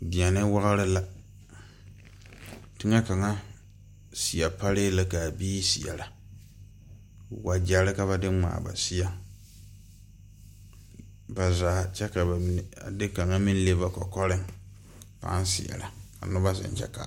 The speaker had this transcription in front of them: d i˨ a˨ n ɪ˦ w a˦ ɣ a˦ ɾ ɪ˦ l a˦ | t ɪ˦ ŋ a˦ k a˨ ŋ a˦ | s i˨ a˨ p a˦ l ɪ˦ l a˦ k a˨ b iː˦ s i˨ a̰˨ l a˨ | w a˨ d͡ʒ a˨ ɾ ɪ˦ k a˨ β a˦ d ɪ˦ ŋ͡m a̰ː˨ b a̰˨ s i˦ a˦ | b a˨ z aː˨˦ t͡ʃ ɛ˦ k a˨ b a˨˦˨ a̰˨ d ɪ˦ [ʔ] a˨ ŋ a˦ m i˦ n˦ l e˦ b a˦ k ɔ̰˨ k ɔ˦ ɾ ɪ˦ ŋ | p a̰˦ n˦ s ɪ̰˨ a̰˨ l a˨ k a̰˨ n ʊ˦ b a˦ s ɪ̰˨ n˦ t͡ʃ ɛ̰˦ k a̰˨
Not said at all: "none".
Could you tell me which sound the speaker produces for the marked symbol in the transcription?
k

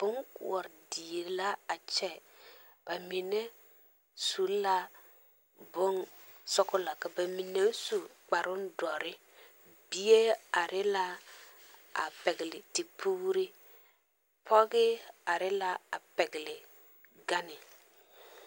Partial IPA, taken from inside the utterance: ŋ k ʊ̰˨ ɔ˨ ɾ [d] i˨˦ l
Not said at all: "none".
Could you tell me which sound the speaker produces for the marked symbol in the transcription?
d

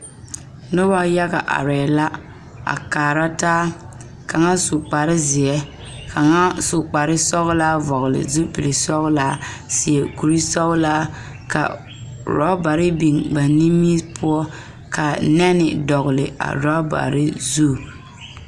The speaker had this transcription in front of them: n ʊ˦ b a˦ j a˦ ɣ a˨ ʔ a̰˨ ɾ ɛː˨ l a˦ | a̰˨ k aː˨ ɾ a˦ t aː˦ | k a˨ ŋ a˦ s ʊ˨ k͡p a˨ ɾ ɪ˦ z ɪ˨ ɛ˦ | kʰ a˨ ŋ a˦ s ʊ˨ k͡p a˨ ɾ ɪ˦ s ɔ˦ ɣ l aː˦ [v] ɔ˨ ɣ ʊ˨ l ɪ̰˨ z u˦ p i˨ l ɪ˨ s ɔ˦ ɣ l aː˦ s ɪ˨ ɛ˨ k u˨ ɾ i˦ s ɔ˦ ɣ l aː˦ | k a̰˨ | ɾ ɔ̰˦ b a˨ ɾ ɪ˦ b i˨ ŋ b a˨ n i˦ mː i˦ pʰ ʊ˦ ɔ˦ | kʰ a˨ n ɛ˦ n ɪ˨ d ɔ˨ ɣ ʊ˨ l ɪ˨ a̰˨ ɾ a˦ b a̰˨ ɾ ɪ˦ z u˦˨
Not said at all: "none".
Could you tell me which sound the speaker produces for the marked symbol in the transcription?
v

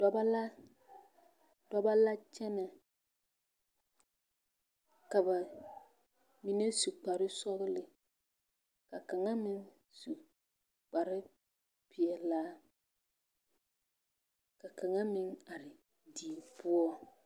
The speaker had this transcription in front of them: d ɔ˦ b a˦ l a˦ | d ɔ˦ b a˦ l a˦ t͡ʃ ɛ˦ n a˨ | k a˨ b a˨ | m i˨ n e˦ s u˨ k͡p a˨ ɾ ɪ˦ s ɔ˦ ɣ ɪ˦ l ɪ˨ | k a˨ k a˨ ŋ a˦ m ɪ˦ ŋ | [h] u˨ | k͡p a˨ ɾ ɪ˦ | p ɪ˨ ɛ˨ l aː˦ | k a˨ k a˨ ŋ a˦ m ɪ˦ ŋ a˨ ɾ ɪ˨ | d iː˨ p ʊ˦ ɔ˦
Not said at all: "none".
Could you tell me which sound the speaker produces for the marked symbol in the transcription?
s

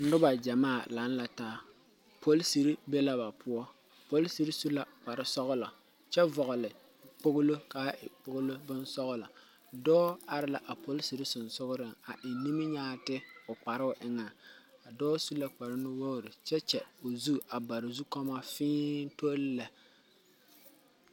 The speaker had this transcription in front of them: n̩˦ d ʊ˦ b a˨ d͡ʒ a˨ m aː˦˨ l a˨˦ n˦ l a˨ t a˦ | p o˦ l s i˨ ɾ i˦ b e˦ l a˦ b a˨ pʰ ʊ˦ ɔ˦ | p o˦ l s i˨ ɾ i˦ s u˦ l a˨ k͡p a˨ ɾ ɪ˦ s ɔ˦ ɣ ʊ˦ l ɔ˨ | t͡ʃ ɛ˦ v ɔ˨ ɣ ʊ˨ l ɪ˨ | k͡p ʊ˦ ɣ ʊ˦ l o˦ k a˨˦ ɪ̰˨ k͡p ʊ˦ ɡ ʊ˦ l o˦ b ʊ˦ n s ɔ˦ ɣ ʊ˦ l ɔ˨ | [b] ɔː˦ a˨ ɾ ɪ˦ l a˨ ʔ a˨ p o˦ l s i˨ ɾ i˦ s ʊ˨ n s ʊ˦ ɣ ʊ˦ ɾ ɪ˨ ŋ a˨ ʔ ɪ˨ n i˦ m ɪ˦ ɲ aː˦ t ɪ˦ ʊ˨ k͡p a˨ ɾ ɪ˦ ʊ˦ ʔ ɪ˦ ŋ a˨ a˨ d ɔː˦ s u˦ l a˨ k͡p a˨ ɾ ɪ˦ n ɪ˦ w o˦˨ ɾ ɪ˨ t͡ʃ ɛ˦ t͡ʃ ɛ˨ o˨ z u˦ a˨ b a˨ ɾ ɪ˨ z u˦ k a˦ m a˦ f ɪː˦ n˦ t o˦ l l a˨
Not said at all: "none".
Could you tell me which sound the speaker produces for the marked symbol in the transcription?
d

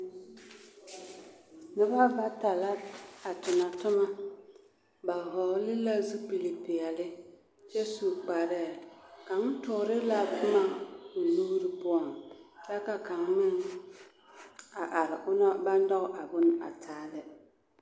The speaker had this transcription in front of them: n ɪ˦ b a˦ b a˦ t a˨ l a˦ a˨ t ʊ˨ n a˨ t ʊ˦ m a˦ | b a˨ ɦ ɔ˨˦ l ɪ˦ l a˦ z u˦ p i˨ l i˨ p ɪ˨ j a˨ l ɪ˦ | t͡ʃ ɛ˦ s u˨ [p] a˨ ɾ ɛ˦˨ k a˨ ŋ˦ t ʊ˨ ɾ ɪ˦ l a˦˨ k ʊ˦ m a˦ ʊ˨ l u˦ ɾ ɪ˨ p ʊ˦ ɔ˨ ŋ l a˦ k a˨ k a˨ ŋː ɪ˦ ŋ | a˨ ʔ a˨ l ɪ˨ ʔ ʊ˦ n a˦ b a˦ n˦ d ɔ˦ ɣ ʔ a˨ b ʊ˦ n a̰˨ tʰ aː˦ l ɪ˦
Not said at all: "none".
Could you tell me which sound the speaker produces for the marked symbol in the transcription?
k͡p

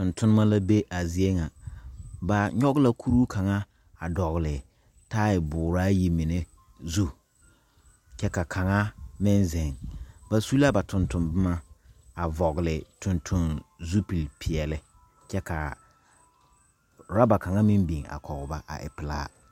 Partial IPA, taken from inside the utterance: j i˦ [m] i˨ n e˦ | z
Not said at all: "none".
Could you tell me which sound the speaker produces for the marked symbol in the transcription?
m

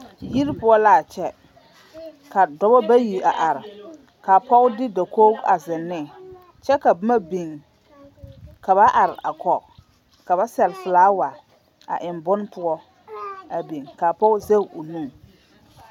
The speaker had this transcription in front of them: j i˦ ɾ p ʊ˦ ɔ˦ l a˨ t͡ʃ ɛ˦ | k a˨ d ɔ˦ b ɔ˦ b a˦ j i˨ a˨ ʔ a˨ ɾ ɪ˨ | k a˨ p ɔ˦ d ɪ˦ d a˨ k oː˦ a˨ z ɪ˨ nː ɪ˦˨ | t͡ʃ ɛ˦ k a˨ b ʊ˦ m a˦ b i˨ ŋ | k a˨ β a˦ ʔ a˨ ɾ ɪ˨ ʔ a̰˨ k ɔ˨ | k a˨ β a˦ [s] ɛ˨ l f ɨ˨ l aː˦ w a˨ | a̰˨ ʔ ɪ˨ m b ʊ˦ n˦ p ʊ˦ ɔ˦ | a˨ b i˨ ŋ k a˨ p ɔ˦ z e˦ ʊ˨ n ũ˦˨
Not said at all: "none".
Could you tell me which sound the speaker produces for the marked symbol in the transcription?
s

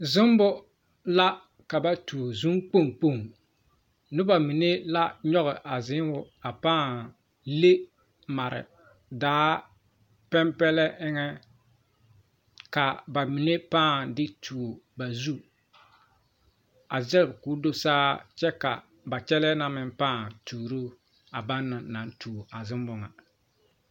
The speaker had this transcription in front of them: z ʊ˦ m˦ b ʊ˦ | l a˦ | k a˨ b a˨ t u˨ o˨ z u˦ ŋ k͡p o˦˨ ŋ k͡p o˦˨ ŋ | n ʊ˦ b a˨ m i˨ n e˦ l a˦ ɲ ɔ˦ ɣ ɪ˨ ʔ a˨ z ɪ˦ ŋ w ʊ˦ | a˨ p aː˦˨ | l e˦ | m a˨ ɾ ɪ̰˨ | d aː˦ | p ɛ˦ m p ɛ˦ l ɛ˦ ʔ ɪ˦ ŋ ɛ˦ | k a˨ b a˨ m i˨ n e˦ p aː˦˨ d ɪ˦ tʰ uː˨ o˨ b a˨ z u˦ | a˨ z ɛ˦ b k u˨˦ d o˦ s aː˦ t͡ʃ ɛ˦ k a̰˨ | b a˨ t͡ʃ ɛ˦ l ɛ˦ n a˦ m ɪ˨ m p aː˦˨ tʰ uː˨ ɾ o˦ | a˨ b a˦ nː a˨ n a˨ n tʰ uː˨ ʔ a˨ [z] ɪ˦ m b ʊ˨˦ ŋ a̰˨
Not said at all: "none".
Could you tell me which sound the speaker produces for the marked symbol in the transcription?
z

